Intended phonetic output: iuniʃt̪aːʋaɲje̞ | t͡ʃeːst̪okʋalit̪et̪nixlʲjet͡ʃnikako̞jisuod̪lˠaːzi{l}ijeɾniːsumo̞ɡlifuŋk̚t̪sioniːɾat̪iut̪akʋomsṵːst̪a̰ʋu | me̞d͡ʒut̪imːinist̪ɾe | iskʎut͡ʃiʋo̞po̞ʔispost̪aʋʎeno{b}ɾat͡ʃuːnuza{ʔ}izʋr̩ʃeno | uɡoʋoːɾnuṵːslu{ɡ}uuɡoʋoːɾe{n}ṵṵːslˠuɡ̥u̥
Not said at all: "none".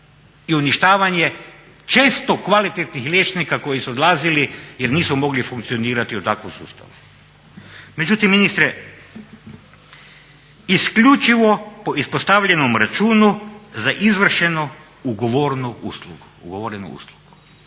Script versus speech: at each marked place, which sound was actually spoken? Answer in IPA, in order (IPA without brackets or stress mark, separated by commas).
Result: l, m, ʔ, ɡ, n